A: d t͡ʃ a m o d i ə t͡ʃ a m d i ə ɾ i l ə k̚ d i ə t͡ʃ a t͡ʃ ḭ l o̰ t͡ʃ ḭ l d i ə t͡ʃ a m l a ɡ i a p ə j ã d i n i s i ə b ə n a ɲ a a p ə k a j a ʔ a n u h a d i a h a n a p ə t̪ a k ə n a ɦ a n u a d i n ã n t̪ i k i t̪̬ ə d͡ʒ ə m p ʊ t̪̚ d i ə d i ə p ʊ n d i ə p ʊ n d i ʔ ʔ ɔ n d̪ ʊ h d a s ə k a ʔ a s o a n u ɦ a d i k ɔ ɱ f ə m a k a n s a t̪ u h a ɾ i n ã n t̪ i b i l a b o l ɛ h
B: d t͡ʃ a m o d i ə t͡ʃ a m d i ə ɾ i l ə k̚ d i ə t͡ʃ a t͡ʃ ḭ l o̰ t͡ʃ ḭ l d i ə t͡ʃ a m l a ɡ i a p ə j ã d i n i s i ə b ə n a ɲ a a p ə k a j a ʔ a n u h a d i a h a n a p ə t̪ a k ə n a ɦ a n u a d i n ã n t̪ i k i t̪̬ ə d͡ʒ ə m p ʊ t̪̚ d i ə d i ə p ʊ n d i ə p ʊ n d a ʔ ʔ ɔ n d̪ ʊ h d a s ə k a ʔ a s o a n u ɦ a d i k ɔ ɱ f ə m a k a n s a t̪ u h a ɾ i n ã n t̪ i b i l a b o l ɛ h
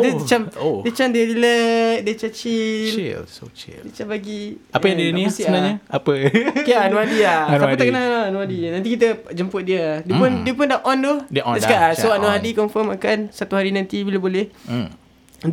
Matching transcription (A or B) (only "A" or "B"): B